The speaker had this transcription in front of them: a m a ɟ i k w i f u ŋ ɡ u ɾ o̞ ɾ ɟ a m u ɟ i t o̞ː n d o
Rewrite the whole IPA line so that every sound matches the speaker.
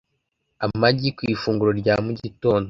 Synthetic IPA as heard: a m a ɟ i k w i f uː ŋ ɡ u ɾ o̞ ɾ ɟ a m u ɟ i t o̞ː n d o

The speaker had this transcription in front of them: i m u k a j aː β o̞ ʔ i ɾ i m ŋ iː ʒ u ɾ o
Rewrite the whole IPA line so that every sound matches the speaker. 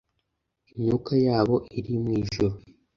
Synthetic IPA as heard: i ɲ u k a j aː β o̞ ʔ i ɾ i m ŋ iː ʒ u ɾ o

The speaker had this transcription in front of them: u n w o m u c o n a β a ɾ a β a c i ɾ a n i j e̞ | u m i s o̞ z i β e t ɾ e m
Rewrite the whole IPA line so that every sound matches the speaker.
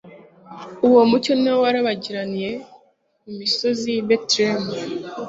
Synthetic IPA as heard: u w o m u c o n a w a ɾ a β a ɟ i ɾ a n i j e̞ | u m i s o̞ z i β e t ɾ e m

